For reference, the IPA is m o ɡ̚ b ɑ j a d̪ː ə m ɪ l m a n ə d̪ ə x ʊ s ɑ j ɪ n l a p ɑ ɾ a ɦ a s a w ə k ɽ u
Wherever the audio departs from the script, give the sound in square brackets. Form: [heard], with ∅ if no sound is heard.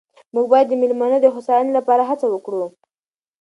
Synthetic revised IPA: m [u] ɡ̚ b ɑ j a d̪ː ə m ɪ l m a n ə d̪ ə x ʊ s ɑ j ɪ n l a p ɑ ɾ a ɦ a [t͡s] a w ə k ɽ u